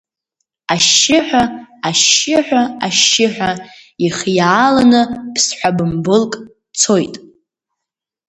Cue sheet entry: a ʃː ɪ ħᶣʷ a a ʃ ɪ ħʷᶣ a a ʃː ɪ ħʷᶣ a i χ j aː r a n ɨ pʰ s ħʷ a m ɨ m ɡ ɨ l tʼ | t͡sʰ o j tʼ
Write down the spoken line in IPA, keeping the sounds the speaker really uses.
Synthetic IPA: a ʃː ɪ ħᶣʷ a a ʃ ɪ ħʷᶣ a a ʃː ɪ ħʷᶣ a i χ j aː l a n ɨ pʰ s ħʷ a b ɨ m b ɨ l kʼ | t͡sʰ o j tʼ